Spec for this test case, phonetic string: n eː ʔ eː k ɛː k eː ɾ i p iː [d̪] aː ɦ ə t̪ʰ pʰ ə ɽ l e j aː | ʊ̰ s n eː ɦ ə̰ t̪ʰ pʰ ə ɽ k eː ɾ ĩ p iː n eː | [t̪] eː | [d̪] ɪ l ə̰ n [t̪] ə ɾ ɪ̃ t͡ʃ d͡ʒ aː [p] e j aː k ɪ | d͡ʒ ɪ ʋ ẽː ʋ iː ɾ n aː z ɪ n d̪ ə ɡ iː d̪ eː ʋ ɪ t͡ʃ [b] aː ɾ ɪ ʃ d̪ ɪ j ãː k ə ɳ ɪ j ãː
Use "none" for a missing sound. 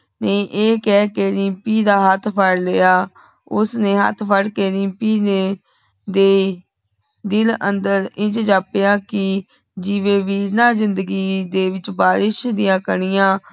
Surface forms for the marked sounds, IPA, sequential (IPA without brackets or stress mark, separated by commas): d̪, d̪, d̪, d̪, p, b